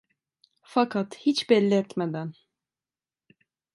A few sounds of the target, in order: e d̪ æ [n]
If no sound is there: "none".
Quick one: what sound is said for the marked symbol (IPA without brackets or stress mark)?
n